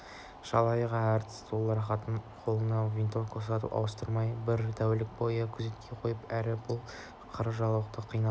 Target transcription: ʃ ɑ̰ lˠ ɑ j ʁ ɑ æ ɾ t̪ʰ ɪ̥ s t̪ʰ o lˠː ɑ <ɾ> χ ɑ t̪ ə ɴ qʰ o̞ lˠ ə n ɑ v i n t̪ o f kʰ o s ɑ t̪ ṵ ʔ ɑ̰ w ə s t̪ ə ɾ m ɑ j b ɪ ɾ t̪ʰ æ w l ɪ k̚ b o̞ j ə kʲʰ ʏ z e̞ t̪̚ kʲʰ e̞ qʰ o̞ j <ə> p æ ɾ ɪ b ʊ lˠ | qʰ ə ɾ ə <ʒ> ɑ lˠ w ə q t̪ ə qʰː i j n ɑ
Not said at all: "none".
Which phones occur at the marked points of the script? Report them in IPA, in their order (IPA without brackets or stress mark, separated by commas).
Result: ɾ, ə, ʒ